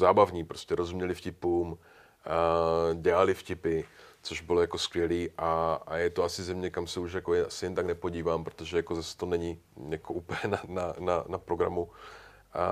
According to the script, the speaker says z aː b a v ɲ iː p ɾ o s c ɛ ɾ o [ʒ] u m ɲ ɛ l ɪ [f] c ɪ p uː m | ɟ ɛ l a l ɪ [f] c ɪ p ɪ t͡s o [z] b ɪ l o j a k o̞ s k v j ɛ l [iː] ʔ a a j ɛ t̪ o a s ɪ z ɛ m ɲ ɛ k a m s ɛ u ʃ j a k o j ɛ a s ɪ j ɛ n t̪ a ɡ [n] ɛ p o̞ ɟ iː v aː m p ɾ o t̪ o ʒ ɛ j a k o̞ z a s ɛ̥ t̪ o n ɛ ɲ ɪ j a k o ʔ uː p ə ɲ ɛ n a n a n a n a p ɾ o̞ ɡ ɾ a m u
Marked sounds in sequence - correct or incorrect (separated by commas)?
incorrect, correct, correct, incorrect, correct, correct